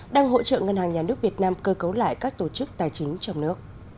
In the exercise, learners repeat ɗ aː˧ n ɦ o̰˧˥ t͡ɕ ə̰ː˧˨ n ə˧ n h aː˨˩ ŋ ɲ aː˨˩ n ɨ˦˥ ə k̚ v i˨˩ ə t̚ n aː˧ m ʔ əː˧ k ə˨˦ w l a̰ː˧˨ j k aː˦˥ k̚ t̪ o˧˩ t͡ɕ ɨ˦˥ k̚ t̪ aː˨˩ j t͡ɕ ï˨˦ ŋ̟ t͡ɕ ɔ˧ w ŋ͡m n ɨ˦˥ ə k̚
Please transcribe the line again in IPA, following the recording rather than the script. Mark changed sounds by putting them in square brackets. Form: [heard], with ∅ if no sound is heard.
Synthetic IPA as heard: ɗ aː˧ [ŋ] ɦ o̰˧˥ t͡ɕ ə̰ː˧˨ [ŋ] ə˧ n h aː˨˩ ŋ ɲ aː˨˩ n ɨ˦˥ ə k̚ v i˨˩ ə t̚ n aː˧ m [k] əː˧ k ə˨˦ w l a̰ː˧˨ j k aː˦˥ k̚ t̪ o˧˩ t͡ɕ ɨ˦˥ k̚ t̪ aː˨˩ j t͡ɕ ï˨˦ ŋ̟ t͡ɕ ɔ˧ w ŋ͡m n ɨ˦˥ ə k̚